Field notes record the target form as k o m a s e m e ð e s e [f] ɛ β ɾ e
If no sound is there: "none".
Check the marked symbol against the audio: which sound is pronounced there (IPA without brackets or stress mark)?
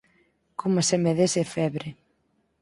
f